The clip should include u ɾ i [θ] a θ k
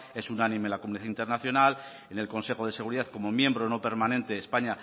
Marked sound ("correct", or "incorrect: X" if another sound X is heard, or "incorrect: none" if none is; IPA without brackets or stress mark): incorrect: ð